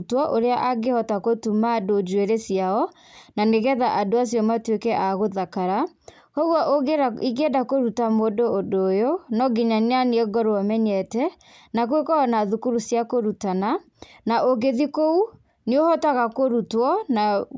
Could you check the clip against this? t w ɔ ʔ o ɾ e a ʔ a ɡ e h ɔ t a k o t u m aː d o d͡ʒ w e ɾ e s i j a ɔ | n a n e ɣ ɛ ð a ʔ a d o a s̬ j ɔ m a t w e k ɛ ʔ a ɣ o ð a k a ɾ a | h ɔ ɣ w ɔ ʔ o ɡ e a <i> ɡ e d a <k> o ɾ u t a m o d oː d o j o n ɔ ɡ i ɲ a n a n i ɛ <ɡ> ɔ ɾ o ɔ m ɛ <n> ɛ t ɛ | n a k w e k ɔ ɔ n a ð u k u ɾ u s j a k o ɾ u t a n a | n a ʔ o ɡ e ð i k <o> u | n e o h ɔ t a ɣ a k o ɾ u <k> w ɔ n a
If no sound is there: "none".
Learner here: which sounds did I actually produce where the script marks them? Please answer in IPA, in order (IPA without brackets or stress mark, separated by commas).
i, k, ɡ, ɲ, o, t